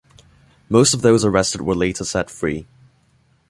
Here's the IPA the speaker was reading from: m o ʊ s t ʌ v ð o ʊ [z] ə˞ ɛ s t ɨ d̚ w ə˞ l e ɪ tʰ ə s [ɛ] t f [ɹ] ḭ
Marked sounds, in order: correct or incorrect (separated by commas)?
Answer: correct, correct, correct